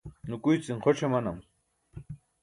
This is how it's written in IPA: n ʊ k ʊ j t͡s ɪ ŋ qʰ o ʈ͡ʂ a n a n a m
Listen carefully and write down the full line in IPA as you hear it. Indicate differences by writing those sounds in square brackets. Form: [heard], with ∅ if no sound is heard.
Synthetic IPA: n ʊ k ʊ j t͡s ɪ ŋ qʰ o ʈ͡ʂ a [m] a n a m